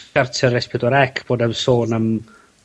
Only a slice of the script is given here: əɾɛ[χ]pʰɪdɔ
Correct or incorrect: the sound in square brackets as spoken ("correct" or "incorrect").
incorrect